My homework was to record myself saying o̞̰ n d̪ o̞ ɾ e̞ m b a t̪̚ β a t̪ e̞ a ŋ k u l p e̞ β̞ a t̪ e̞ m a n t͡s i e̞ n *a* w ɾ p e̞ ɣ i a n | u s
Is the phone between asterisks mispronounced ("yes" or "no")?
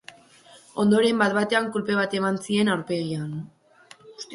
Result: no